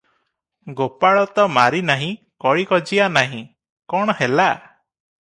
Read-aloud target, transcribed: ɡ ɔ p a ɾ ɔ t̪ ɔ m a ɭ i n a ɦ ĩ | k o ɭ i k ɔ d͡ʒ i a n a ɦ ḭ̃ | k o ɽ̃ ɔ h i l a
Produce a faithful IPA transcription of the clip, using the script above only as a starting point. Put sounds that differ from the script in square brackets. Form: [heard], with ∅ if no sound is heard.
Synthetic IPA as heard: ɡ [o] p a [ɭ] ɔ t̪ ɔ m a [ɾ] i n a ɦ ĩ | k [ɔ] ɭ i k ɔ d͡ʒ i a n a ɦ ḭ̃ | k [ɔ] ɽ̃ ɔ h [e] l a